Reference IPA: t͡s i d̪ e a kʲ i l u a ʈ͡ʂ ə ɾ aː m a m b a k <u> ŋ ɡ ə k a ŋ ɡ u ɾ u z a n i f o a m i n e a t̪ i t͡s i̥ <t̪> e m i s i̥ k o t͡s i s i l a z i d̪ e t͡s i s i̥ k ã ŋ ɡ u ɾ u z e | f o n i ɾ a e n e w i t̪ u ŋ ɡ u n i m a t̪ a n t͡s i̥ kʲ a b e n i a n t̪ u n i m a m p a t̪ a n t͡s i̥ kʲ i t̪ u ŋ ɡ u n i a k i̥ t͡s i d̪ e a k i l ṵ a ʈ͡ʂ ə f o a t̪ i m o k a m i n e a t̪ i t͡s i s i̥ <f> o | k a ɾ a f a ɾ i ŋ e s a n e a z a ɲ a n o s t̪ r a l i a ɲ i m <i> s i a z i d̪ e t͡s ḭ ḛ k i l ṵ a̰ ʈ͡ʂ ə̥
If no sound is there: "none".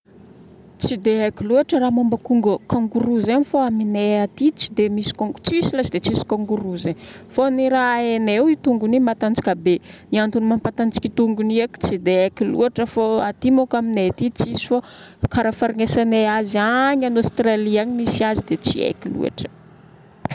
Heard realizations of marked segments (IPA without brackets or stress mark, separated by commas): u, d̪, f, i